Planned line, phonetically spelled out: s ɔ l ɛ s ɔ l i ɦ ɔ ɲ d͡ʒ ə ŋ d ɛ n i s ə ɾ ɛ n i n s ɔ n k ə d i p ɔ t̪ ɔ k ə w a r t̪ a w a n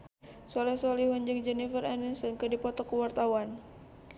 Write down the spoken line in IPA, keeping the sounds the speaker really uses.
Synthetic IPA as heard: s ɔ l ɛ s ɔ l i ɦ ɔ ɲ d͡ʒ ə ŋ d͡ʒ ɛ n i f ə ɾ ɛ n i n s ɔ n k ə d i p ɔ t̪ ɔ k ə w a r t̪ a w a n